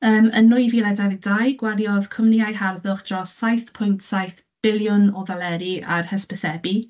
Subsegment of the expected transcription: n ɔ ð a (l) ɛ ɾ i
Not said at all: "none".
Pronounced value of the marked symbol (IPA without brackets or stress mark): l